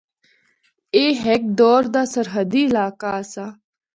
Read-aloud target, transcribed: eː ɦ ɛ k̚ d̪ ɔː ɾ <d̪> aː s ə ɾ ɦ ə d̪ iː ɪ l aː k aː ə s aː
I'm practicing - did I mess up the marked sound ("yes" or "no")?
no